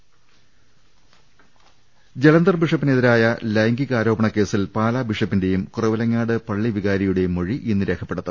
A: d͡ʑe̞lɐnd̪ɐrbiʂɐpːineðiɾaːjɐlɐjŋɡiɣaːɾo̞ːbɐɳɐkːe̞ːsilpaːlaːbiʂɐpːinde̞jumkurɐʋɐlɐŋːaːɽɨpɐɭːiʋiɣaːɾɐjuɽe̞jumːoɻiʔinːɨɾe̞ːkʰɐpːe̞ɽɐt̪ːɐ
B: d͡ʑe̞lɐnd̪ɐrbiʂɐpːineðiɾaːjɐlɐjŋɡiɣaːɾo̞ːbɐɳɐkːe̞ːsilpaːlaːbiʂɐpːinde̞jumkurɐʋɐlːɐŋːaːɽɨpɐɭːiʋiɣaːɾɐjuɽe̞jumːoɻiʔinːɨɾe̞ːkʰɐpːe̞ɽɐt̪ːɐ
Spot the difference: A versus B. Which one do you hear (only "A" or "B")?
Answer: A